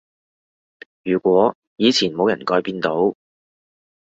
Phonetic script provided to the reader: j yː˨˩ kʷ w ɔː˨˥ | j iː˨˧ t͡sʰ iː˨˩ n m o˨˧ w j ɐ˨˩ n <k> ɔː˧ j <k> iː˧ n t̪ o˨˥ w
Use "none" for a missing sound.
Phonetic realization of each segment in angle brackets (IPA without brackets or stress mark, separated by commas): k, p